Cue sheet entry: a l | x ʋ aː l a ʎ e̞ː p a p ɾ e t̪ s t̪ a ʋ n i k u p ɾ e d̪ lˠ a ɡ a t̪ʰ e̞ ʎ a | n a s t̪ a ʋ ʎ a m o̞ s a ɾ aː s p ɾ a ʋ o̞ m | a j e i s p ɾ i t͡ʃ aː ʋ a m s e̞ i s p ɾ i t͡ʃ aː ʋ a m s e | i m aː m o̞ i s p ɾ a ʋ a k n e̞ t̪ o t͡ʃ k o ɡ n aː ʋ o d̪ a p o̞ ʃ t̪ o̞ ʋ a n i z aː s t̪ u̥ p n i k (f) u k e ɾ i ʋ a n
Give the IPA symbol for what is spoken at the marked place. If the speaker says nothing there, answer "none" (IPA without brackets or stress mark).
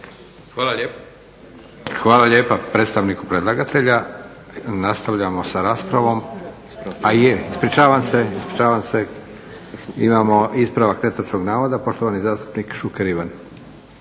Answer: ʃ